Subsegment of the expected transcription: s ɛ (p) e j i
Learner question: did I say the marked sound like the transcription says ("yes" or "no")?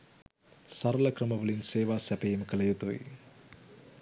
yes